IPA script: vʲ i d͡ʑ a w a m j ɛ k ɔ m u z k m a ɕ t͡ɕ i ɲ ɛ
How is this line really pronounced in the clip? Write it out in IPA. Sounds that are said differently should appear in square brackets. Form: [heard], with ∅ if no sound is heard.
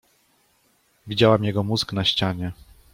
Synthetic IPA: vʲ i d͡ʑ a w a m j ɛ [ɡ] ɔ m u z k [n] a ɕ t͡ɕ [a] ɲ ɛ

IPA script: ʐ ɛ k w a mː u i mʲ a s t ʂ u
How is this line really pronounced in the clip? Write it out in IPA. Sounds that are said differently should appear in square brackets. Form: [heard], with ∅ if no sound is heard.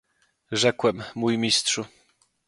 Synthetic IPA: ʐ ɛ k w [ɛ] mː u [j] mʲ [i] s t ʂ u

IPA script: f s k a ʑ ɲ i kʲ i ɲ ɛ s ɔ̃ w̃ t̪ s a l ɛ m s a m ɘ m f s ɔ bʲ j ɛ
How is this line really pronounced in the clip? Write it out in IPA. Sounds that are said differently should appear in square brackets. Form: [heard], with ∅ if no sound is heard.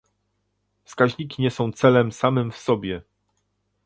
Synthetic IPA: f s k a ʑ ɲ i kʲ i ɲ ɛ s ɔ̃ w̃ t̪ s [ɛ] l ɛ m s a m ɘ m f s ɔ bʲ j ɛ

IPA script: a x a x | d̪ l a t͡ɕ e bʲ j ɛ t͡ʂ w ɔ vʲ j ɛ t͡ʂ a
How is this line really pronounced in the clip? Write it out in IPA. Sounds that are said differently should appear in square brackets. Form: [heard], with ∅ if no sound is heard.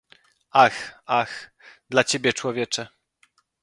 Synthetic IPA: a x a x | d̪ l a t͡ɕ e bʲ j ɛ t͡ʂ w ɔ vʲ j ɛ t͡ʂ [ɛ]

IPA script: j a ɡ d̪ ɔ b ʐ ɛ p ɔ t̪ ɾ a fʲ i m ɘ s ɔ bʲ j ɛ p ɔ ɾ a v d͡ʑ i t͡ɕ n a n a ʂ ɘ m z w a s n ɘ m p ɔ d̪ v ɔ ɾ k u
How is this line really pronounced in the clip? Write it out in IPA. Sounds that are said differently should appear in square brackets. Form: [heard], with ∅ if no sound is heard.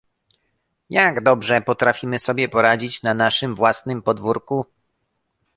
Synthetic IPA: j a ɡ d̪ ɔ b ʐ ɛ p ɔ t̪ ɾ a fʲ i m ɘ s ɔ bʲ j ɛ p ɔ ɾ a [∅] d͡ʑ i t͡ɕ n a n a ʂ ɘ m [v] w a s n ɘ m p ɔ d̪ v [u] ɾ k u

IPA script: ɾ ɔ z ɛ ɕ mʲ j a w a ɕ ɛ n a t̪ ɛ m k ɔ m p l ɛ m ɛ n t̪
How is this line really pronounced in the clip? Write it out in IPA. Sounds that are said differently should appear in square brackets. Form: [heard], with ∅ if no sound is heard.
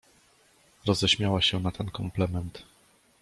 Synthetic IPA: ɾ ɔ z ɛ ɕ mʲ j a w a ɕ ɛ n a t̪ ɛ [n] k ɔ m p l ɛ m ɛ n t̪

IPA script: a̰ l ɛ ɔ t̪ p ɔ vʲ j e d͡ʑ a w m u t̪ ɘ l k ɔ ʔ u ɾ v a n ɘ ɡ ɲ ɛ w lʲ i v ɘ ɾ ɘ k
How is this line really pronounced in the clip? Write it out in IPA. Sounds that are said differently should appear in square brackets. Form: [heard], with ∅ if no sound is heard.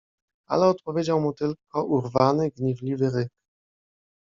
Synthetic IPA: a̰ l ɛ ɔ t̪ p ɔ vʲ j e d͡ʑ a w m u t̪ ɘ l k ɔ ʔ u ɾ v a n ɘ ɡ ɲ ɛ [v] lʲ i v ɘ ɾ ɘ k

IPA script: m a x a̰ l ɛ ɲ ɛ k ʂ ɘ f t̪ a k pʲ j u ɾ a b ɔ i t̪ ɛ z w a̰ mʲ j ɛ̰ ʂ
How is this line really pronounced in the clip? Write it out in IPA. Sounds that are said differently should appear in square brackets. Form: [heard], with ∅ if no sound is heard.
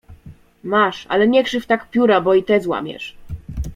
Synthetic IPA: m a [ʂ] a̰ l ɛ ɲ ɛ k ʂ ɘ f t̪ a k pʲ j u ɾ a b ɔ i t̪ ɛ z w a̰ mʲ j ɛ̰ ʂ

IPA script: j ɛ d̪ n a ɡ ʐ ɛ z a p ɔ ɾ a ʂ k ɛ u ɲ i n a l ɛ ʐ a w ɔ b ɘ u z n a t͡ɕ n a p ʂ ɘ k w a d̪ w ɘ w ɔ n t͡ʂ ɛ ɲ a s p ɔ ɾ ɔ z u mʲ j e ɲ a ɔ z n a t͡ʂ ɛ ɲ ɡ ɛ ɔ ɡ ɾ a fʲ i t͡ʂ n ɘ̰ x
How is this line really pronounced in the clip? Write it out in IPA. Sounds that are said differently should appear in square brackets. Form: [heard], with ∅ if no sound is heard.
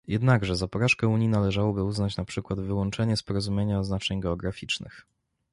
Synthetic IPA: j ɛ d̪ n a ɡ ʐ ɛ z a p ɔ ɾ a ʂ k ɛ u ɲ i n a l ɛ ʐ a w ɔ b ɘ u z n a t͡ɕ n a p ʂ ɘ k w a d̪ [v] ɘ w ɔ n t͡ʂ ɛ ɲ [ɛ] s p ɔ ɾ ɔ z u mʲ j e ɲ a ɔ z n a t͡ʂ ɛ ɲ ɡ ɛ ɔ ɡ ɾ a fʲ i t͡ʂ n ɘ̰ x

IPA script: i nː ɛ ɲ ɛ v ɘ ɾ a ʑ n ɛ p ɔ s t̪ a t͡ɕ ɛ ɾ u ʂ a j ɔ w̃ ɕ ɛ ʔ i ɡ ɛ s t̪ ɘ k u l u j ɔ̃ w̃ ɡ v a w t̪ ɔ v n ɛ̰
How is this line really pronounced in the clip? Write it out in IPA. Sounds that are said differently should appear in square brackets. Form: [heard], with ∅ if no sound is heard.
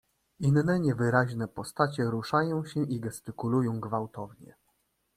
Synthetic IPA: i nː ɛ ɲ ɛ v ɘ ɾ a ʑ n ɛ p ɔ s t̪ a t͡ɕ ɛ ɾ u ʂ a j [ɔ̃] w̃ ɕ ɛ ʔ i ɡ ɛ s t̪ ɘ k u l u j ɔ̃ w̃ ɡ v a w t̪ ɔ v [ɲ] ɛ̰

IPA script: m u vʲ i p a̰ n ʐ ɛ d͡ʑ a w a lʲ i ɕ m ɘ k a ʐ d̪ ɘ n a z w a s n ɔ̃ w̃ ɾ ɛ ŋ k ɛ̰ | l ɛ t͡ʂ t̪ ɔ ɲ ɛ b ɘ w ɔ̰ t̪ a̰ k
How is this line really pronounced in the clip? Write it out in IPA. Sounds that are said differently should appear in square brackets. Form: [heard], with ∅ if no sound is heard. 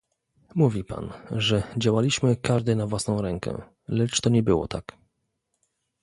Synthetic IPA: m u vʲ i p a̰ n ʐ ɛ d͡ʑ a w a lʲ i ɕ m ɘ k a ʐ d̪ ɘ n a [v] w a s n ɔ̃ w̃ ɾ ɛ ŋ k ɛ̰ | l ɛ t͡ʂ t̪ ɔ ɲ ɛ b ɘ w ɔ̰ t̪ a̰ k

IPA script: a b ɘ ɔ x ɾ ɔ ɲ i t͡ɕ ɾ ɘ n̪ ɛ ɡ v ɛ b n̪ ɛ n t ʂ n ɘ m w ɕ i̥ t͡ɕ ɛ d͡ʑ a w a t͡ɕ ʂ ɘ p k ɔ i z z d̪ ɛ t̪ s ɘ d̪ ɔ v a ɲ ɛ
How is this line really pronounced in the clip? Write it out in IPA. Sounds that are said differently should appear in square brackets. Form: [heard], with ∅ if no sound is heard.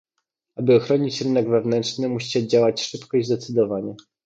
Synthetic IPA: a b ɘ ɔ x ɾ ɔ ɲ i t͡ɕ ɾ ɘ n̪ ɛ ɡ v ɛ [v] n̪ ɛ n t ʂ n ɘ m [u] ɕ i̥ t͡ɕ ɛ d͡ʑ a w a t͡ɕ ʂ ɘ p k ɔ i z z d̪ ɛ t̪ s ɘ d̪ ɔ v a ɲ ɛ

